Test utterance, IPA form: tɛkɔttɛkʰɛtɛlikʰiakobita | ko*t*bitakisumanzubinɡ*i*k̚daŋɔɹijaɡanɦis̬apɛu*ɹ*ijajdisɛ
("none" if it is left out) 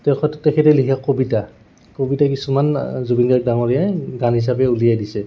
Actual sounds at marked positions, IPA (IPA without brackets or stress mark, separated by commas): none, a, l